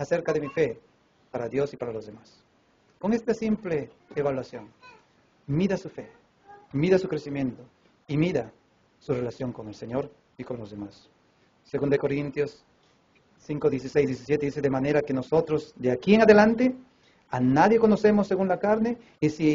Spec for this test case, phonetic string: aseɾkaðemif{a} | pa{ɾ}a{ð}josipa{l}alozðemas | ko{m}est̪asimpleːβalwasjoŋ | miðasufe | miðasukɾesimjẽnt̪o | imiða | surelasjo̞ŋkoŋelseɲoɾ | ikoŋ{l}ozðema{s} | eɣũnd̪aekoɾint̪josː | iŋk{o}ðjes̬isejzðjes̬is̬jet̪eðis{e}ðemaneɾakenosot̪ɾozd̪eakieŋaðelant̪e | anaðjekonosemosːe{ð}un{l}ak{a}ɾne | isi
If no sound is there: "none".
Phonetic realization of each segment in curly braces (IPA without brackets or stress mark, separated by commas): e, ɾ, ð, ɾ, ŋ, l, sː, o, e, ɣ, l, a